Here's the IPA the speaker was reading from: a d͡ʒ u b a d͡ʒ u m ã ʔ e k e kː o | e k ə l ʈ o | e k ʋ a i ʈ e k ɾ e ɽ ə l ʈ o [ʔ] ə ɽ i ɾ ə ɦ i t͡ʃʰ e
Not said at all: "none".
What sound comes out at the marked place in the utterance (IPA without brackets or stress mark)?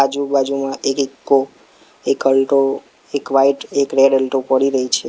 p